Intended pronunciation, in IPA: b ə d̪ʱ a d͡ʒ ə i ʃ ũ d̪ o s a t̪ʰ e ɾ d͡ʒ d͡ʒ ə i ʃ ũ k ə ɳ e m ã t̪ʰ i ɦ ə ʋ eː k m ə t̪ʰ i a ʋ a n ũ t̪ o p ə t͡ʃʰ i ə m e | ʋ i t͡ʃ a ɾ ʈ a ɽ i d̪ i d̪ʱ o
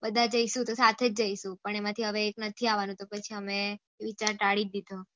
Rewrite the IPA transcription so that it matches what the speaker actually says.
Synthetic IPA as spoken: b ə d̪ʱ a d͡ʒ ə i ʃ ũ t̪ o s a t̪ʰ e d͡ʒ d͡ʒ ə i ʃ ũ p ə ɳ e m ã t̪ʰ i ɦ ə ʋ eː k n ə t̪ʰ i a ʋ a n ũ t̪ o p ə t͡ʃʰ i ə m e | ʋ i t͡ʃ a ɾ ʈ a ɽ i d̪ i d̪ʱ o